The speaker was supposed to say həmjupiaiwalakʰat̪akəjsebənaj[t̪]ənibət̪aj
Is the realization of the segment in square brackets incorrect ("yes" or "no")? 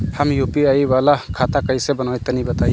no